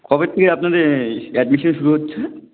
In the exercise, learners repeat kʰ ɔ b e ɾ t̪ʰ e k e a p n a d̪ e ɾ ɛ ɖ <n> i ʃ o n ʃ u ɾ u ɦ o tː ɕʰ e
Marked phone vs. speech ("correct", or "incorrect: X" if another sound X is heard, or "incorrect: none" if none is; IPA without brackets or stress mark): incorrect: m